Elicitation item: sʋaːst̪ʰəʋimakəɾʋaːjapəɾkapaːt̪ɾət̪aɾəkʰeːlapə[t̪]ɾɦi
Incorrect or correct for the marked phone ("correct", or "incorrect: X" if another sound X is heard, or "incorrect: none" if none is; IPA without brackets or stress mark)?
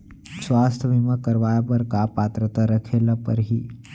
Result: incorrect: none